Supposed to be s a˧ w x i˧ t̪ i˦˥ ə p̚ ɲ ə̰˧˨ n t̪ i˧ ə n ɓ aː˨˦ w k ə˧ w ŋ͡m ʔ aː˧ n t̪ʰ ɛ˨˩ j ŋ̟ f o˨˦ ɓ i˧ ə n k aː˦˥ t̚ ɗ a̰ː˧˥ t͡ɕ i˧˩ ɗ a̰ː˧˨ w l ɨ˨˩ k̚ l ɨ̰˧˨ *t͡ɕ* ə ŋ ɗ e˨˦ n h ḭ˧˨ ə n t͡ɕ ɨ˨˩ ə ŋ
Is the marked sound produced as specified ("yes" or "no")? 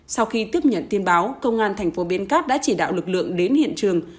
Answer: no